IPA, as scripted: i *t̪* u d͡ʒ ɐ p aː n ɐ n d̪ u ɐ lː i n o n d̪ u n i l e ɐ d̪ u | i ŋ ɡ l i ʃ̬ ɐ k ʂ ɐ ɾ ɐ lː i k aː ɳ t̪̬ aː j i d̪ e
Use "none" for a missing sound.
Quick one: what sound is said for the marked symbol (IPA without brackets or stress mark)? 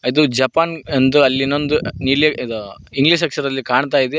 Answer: d̪